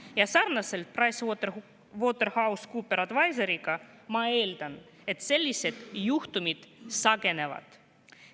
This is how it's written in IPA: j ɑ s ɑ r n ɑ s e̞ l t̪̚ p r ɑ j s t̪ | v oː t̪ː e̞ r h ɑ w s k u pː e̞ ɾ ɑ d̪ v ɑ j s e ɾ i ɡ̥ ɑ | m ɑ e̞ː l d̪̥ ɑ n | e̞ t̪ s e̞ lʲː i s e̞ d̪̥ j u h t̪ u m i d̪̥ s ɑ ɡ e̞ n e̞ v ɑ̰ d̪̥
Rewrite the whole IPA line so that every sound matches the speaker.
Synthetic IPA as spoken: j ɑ s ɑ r n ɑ s e̞ l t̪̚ p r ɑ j s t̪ | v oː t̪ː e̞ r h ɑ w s k u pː e̞ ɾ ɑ d̪ v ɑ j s e ɾ i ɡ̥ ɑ | m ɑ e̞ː l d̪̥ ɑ n | e̞ t̪ s e̞ lʲː i s e̞ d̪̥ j u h t̪ u m i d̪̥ s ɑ ɡ e̞ n e̞ v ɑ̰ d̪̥